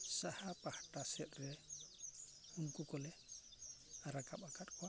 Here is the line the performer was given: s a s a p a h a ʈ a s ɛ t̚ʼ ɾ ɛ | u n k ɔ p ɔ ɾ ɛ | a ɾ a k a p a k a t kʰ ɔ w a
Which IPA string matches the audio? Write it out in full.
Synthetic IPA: s a h a p a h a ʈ a s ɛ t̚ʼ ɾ ɛ | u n k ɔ k ɔ l ɛ | a ɾ a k a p a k a t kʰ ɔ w a